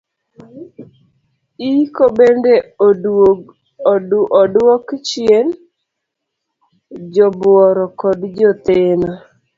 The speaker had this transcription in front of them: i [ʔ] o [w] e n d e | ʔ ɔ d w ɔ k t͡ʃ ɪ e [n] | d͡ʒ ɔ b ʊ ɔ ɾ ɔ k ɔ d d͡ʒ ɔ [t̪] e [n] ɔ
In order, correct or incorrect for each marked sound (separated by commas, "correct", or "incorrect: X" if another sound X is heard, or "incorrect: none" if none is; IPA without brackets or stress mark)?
incorrect: k, incorrect: b, correct, correct, correct